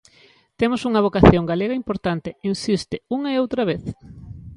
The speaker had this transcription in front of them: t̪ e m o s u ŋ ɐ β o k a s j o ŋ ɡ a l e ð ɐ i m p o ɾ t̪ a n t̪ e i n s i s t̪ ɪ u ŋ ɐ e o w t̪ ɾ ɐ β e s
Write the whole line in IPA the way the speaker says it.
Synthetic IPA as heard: t̪ e m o s u ŋ ɐ β o k a θ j o ŋ ɡ a l e ɣ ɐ i m p o ɾ t̪ a n t̪ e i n s i s t̪ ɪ u ŋ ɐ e o w t̪ ɾ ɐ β e θ

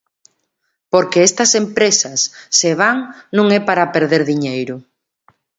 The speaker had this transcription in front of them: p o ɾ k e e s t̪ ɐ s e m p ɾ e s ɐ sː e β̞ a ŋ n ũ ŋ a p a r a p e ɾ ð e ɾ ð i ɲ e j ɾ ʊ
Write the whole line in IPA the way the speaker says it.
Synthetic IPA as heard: p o ɾ k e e s t̪ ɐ s e m p ɾ e s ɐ sː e β̞ a ŋ n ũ ŋ ɛ p a ɾ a p e ɾ ð e ɾ ð i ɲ e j ɾ ʊ

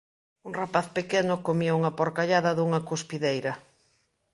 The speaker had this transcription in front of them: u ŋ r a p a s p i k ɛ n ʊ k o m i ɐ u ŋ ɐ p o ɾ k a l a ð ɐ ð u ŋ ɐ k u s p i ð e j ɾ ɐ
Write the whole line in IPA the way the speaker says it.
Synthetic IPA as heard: u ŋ r a p a θ p e k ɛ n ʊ k o m i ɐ u ŋ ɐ p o ɾ k a ʎ a ð ɐ ð u ŋ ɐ k u s p i ð e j ɾ ɐ

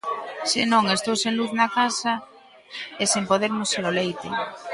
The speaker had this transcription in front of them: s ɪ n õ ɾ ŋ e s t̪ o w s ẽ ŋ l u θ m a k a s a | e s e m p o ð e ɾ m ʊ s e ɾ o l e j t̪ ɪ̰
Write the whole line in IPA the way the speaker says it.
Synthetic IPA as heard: s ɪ n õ ŋ e s t̪ o w s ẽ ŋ l u θ n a k a s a | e s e m p o ð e ɾ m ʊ s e ɾ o l e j t̪ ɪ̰

